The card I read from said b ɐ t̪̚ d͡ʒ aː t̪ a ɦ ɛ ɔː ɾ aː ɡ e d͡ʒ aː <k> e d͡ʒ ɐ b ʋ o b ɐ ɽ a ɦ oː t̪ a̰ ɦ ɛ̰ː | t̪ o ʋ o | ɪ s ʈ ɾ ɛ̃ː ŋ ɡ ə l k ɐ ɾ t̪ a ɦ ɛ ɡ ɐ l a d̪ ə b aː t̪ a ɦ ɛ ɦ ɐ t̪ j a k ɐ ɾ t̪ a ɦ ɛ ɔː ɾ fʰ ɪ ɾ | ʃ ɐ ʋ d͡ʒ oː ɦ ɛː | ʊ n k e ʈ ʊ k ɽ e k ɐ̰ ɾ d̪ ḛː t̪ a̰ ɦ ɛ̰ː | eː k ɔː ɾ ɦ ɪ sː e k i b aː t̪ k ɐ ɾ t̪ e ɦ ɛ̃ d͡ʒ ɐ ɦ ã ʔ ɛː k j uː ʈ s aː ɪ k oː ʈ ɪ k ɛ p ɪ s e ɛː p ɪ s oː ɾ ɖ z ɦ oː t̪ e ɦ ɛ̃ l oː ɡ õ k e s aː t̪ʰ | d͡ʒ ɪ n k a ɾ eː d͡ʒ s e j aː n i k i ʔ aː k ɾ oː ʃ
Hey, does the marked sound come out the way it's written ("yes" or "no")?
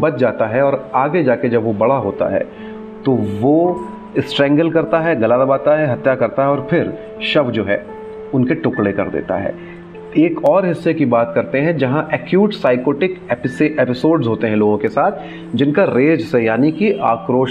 yes